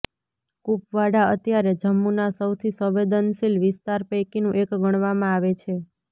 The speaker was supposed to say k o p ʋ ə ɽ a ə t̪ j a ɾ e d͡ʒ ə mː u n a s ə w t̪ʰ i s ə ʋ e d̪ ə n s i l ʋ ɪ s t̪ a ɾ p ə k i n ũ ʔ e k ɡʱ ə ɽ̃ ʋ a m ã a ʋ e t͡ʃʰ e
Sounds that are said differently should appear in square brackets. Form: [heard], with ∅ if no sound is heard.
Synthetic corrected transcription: k [u] p ʋ [a] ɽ a ə t̪ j a ɾ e d͡ʒ ə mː u n a s ə w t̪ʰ i s ə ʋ e d̪ ə n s i l ʋ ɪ s t̪ a ɾ p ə k i n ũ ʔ e k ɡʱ ə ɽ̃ ʋ a m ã a ʋ e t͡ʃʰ e

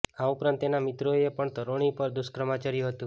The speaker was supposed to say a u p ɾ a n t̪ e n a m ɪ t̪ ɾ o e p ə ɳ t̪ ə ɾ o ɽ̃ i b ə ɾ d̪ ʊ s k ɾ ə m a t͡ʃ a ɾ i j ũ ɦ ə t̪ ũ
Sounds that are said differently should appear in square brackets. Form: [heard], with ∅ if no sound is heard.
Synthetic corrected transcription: a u p ɾ a n t̪ e n a m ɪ t̪ ɾ o e p ə ɳ t̪ ə ɾ o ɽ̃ i [p] ə ɾ d̪ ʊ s k ɾ ə m a t͡ʃ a ɾ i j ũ ɦ ə t̪ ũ

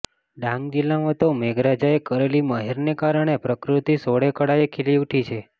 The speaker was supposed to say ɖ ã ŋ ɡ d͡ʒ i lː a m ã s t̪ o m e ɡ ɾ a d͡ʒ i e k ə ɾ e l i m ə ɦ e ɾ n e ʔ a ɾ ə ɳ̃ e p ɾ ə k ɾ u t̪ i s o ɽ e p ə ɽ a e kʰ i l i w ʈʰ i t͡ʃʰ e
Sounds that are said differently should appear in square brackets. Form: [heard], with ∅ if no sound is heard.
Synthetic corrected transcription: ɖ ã ŋ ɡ d͡ʒ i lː a m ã [∅] t̪ o m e ɡ ɾ a d͡ʒ [a] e k ə ɾ e l i m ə ɦ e ɾ n e [k] a ɾ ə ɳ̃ e p ɾ ə k ɾ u t̪ i s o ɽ e [k] ə ɽ a e kʰ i l i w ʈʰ i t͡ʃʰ e

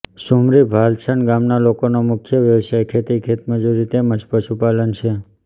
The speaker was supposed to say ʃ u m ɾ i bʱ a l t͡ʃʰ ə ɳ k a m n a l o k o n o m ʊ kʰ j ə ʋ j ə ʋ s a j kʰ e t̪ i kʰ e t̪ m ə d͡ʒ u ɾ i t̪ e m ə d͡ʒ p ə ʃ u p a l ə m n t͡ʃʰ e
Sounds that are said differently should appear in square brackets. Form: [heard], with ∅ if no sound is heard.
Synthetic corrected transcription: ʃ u m ɾ i bʱ a l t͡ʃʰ ə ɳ [ɡ] a m n a l o k o n o m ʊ kʰ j ə ʋ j ə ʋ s a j kʰ e t̪ i kʰ e t̪ m ə d͡ʒ u ɾ i t̪ e m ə d͡ʒ p ə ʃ u p a l ə [∅] n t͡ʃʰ e

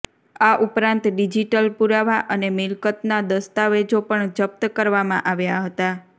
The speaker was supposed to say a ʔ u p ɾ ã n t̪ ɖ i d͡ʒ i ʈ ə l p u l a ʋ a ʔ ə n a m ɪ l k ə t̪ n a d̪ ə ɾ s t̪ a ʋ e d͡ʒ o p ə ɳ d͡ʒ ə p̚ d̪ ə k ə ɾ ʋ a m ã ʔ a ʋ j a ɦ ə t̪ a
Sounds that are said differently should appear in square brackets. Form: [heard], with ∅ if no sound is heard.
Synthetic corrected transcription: a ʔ u p ɾ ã n t̪ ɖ i d͡ʒ i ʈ ə l p u [ɾ] a ʋ a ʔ ə n [e] m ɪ l k ə t̪ n a d̪ ə [∅] s t̪ a ʋ e d͡ʒ o p ə ɳ d͡ʒ ə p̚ [t̪] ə k ə ɾ ʋ a m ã ʔ a ʋ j a ɦ ə t̪ a

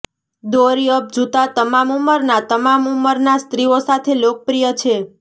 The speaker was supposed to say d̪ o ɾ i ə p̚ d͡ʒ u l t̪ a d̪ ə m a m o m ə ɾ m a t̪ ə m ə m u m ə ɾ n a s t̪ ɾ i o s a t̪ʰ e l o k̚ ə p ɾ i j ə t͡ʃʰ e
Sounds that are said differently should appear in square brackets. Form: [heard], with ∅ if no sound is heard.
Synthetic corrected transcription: d̪ o ɾ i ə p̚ d͡ʒ u [∅] t̪ a [t̪] ə m a m [u] m ə ɾ [n] a t̪ ə m [a] m u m ə ɾ n a s t̪ ɾ i o s a t̪ʰ e l o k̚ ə p ɾ i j ə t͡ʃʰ e

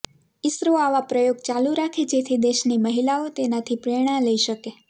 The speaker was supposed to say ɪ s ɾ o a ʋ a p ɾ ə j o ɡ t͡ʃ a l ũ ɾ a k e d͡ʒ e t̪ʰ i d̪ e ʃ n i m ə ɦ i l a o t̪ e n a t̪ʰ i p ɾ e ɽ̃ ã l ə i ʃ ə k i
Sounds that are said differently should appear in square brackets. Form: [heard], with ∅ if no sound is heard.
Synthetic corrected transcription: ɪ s ɾ o a ʋ a p ɾ ə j o ɡ t͡ʃ a l [u] ɾ a [kʰ] e d͡ʒ e t̪ʰ i d̪ e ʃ n i m ə ɦ i l a o t̪ e n a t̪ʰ i p ɾ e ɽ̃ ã l ə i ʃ ə k [e]

